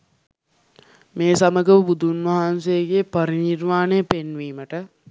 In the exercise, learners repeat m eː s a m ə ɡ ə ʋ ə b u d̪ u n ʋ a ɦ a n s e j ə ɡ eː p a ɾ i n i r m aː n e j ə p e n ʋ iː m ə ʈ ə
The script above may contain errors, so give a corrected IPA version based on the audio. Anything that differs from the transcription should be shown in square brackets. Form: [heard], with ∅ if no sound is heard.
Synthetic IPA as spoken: m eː s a m ə ɡ ə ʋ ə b u d̪ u n ʋ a ɦ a n s e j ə ɡ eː p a ɾ i n i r m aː n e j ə p e n ʋ iː m ə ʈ ə